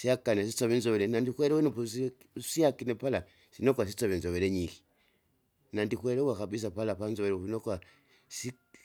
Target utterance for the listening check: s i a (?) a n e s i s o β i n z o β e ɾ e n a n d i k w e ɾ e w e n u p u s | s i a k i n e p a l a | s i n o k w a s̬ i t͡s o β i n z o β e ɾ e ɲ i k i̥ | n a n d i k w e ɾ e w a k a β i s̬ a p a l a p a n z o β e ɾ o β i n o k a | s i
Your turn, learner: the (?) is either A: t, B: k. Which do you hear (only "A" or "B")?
B